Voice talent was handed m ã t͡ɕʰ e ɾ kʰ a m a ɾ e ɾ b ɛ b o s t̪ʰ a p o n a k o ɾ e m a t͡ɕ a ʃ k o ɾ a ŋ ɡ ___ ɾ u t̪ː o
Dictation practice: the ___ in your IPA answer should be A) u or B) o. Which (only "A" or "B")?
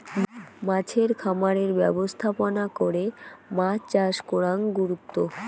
A